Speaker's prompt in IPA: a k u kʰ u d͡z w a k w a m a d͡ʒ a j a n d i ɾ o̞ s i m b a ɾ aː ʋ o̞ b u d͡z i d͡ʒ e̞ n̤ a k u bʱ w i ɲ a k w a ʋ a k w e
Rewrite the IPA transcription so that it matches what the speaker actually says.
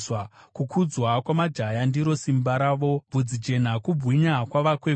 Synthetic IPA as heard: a k u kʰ u d͡z w a k w a m a d͡ʒ a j a n d i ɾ o̞ s i m b a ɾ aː ʋ o̞ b u d͡z i d͡ʒ e̞ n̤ a k u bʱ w i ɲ a k w a ʋ a k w e

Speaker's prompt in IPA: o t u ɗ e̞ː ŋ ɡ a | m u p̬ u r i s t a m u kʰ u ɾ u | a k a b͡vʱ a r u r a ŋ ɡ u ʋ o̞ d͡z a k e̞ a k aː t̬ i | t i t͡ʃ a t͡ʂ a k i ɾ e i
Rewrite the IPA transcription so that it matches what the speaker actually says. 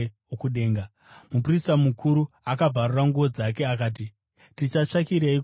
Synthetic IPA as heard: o k u ɗ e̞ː ŋ ɡ a | m u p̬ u r i s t a m u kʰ u ɾ u | a k a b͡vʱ a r u r a ŋ ɡ u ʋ o̞ d͡z a k e̞ a k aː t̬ i | t i t͡ʃ a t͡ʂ a k i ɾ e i

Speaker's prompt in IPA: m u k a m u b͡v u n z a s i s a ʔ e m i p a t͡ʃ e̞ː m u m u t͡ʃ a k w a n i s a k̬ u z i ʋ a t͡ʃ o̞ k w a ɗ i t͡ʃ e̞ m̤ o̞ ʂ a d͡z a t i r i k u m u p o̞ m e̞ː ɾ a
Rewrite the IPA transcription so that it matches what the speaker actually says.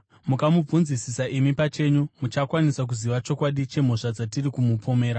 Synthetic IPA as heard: m u k a m u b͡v u n z i s i s a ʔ i m i p a t͡ʃ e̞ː ɲ u m u t͡ʃ a k w a n i s a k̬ u z i ʋ a t͡ʃ o̞ k w a ɗ i t͡ʃ e̞ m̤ o̞ ʂ a d͡z a t i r i k u m u p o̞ m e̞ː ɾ a

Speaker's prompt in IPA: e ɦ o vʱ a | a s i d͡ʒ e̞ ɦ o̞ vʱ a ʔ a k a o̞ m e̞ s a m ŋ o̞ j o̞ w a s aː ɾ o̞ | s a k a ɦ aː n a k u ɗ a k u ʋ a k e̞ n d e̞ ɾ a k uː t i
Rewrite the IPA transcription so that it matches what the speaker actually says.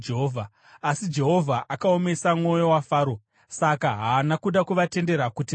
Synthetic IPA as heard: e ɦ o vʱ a | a s i d͡ʒ e̞ ɦ o̞ vʱ a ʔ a k a o̞ m e̞ s a m ŋ o̞ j o̞ w a f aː ɾ o̞ | s a k a ɦ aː n a k u ɗ a k u ʋ a t e̞ n d e̞ ɾ a k u t i

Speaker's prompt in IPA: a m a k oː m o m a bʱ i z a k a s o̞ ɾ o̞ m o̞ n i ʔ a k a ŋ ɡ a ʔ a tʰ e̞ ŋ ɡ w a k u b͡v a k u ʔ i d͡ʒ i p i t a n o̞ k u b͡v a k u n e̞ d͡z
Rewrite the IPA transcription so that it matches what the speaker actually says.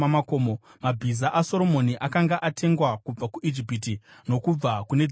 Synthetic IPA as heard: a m a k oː m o m a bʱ i z a ʔ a s o̞ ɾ o̞ m o̞ n i ʔ a k a ŋ ɡ a ʔ a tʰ e̞ ŋ ɡ w a k u b͡v a k u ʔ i d͡ʒ i p i t i n o̞ k u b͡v a k u n e̞ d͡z

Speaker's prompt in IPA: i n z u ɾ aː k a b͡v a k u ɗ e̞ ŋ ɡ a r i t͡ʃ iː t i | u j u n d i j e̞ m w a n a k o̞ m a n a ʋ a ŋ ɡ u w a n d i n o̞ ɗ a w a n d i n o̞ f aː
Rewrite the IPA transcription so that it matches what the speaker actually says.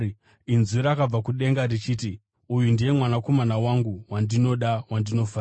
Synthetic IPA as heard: i n z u ɾ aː k a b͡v a k u ɗ e̞ ŋ ɡ a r i t͡ʃ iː t i | u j u n d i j e̞ m w a n a k o̞ m a n a w a ŋ ɡ u w a n d i n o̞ ɗ a w a n d i n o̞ f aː

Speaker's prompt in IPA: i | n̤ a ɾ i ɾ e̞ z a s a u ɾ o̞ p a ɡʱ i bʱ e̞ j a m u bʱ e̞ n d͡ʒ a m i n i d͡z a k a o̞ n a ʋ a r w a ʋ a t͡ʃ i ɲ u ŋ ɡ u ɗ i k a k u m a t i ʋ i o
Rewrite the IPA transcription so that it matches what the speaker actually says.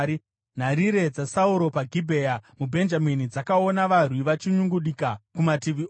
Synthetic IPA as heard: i | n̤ a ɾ i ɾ e̞ d͡z a s a u ɾ o̞ p a ɡʱ i bʱ e̞ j a m u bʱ e̞ n d͡ʒ a m i n i d͡z a k a o̞ n a ʋ a r w i ʋ a t͡ʃ i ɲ u ŋ ɡ u ɗ i k a k u m a t i ʋ i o

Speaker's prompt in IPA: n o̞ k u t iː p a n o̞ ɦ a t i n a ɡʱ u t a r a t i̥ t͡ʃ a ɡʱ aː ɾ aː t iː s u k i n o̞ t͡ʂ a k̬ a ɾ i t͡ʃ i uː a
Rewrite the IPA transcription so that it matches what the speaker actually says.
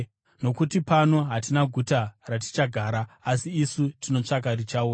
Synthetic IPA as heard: n o̞ k u t i p a n o̞ ɦ a t i n a ɡʱ u t a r a t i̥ t͡ʃ a ɡʱ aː ɾ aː s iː s u t i n o̞ t͡ʂ a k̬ a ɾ i t͡ʃ a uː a

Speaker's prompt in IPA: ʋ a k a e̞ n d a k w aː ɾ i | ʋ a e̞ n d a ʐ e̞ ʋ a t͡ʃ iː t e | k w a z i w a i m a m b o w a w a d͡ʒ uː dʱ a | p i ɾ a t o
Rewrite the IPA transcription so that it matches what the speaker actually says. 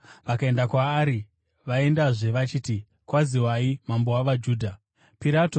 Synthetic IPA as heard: ʋ a k a e̞ n d a k w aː ɾ i | ʋ a e̞ n d a ʐ e̞ ʋ a t͡ʃ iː t i | k w a z i w a i m a m b o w a ʋ a d͡ʒ uː dʱ a | p i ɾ a t o

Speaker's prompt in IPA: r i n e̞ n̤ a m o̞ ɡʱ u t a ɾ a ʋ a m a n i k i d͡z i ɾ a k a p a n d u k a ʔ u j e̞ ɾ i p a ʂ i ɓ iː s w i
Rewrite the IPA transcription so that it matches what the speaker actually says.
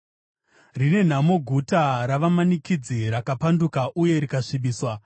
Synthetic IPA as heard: r i n e̞ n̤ a m o̞ ɡʱ u t a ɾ a ʋ a m a n i k i d͡z i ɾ a k a p a n d u k a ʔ u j e̞ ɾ i k a ʂ i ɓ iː s w a

